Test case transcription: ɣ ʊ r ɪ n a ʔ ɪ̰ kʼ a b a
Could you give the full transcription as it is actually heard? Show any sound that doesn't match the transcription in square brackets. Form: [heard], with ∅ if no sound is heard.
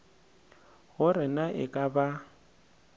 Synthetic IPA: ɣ ʊ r ɪ n a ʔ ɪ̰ kʼ a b a